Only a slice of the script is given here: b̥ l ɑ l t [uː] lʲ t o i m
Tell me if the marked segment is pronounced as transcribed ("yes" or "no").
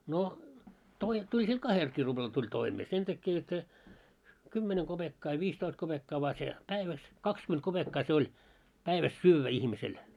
no